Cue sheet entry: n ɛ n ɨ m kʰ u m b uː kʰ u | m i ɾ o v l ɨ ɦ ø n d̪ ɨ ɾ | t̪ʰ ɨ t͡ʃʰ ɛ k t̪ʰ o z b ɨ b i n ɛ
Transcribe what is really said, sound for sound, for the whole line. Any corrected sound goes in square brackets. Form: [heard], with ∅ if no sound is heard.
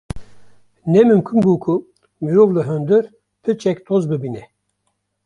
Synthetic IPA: n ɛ [m] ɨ m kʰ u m b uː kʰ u | m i ɾ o v l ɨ ɦ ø n d̪ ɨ ɾ | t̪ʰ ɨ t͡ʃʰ ɛ k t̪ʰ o z b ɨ b i n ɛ